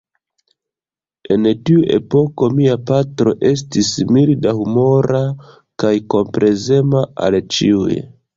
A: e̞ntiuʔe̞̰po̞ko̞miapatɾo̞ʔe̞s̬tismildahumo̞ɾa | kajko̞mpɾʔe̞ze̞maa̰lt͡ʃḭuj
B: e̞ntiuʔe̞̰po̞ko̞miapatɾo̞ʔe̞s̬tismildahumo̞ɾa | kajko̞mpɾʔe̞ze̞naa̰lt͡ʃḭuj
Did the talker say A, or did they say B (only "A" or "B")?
A